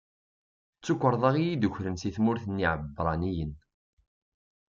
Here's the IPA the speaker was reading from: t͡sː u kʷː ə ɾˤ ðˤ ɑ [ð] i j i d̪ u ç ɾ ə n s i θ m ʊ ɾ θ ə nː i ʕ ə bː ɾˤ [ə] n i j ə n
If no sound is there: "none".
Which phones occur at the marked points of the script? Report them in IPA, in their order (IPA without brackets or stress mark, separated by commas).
ʁ, ɑ